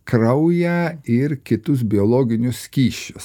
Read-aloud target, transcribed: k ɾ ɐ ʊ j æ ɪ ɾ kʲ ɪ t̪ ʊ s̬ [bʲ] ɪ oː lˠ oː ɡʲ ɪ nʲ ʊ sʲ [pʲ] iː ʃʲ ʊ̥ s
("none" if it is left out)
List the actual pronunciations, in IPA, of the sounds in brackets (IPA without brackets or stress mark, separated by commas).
bʲ, kʲ